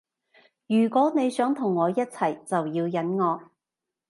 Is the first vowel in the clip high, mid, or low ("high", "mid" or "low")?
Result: high